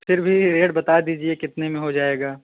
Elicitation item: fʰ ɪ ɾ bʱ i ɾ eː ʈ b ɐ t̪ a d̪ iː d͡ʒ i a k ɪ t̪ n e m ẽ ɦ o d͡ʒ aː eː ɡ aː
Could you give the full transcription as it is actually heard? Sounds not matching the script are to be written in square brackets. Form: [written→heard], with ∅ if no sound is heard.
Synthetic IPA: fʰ ɪ ɾ bʱ i ɾ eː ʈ b ɐ t̪ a d̪ iː d͡ʒ i [a→e] k ɪ t̪ n e m ẽ ɦ o d͡ʒ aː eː ɡ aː